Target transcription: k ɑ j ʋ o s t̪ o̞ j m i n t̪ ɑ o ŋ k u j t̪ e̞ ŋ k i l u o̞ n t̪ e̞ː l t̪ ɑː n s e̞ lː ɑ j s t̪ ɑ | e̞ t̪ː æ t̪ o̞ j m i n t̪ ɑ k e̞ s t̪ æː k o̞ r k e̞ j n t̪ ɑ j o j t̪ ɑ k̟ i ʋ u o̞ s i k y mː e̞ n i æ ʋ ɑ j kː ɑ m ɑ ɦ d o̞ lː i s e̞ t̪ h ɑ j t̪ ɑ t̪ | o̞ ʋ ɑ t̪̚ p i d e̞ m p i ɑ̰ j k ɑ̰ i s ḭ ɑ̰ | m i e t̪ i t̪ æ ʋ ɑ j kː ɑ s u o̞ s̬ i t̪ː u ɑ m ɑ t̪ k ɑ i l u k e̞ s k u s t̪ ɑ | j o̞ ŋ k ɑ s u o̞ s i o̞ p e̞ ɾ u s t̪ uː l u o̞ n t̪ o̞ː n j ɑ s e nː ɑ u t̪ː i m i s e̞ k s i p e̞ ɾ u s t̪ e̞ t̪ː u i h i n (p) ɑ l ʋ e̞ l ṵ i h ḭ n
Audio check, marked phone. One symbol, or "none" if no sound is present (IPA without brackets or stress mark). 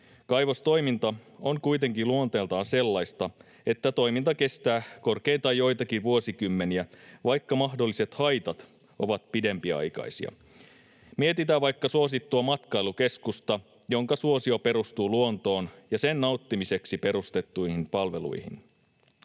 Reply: p